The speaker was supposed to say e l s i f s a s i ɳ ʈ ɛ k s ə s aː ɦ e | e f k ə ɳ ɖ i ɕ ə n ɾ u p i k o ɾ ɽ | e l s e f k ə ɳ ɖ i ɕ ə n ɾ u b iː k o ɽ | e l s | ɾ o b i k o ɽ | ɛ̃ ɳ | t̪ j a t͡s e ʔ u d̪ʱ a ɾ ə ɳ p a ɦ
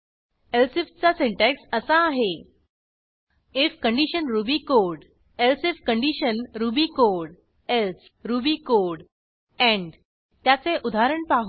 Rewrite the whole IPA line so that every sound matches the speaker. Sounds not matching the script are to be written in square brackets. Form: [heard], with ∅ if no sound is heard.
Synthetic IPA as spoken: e l s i f [t͡s] a s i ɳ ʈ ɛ k s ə s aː ɦ e | e f k ə ɳ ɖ i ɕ ə n ɾ u [b] i k o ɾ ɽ | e l s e f k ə ɳ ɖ i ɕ ə n ɾ u b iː k o ɽ | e l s | ɾ [u] b i k o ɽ | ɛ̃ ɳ | t̪ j a t͡s e ʔ u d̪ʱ a ɾ ə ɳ p a ɦ